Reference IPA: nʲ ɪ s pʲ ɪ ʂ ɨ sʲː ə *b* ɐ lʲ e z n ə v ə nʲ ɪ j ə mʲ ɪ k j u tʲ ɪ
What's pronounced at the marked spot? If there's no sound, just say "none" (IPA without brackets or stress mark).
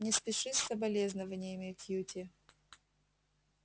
b